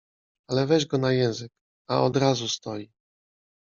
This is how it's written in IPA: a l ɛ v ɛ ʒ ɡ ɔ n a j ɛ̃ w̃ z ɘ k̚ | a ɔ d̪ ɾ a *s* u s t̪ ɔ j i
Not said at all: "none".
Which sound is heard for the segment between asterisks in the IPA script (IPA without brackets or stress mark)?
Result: z